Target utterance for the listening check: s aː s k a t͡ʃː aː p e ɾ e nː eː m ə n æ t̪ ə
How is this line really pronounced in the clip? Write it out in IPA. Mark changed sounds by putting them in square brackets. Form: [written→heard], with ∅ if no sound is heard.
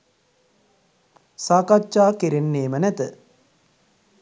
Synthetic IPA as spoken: s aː [s→∅] k a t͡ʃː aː [p→k] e ɾ e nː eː m ə n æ t̪ ə